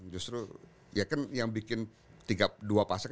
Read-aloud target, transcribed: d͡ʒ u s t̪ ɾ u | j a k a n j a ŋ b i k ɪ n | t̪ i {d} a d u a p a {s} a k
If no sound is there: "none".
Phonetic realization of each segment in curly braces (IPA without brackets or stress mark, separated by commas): ɡ, s